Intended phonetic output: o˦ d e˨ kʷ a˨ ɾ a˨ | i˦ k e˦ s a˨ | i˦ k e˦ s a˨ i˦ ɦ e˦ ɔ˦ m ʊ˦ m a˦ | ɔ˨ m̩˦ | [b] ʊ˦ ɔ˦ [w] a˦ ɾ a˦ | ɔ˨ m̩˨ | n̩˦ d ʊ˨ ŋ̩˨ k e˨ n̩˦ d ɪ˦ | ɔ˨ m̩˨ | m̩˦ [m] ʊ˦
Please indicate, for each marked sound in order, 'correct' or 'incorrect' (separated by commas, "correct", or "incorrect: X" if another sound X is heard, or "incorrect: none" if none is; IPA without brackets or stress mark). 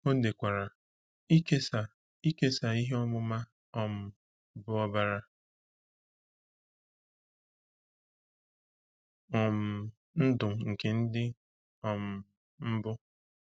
correct, incorrect: b, incorrect: b